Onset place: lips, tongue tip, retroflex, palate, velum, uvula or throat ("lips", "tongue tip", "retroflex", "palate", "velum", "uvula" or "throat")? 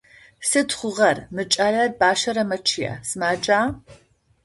tongue tip